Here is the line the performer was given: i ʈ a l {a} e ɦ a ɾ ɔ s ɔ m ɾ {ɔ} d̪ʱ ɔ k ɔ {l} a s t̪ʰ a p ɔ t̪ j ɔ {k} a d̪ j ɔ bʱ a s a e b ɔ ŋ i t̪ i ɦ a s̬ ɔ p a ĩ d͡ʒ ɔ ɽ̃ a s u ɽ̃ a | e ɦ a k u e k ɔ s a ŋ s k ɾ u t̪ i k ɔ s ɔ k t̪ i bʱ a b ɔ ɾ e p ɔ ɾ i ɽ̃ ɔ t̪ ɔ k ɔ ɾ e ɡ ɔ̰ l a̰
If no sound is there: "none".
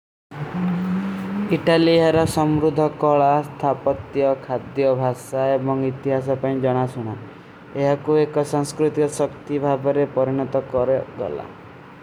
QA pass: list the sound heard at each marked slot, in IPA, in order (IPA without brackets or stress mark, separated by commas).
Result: i, u, ɭ, kʰ